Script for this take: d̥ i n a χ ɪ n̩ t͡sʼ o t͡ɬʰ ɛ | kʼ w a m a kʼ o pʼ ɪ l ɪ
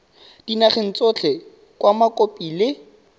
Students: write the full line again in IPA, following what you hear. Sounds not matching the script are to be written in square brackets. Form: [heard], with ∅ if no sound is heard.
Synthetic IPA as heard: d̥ i n a χ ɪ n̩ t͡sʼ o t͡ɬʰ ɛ | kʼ w a m a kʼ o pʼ [i] l ɪ